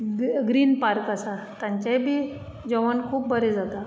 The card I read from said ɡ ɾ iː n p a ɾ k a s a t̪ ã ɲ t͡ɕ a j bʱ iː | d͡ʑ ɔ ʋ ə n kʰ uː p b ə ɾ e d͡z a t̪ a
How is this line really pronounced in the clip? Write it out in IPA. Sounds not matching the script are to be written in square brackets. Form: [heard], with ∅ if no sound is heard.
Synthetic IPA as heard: ɡ ɾ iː n p a ɾ k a s a t̪ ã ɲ t͡ɕ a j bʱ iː | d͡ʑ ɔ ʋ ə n kʰ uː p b ə ɾ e d͡z a t̪ a